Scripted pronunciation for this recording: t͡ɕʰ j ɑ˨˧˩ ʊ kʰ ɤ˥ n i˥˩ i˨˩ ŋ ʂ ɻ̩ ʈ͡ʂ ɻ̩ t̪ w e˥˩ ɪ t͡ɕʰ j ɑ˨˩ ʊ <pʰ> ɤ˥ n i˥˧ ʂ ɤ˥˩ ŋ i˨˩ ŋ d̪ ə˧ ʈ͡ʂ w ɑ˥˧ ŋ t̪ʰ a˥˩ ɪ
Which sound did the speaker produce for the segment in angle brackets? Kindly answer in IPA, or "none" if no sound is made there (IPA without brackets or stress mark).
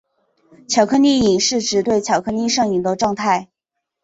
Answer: kʰ